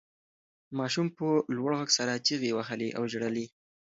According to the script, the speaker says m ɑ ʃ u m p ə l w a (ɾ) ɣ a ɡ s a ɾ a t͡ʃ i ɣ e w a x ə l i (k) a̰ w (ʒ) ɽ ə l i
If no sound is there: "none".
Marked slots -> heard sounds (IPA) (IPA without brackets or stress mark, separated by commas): ɽ, ʔ, ʒ